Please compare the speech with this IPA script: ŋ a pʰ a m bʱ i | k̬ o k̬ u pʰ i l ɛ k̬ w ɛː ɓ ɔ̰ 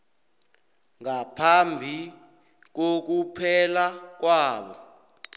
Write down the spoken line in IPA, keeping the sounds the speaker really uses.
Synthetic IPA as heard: ŋ a pʰ a m bʱ i | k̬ o k̬ u pʰ ɛ l a k̬ w aː ɓ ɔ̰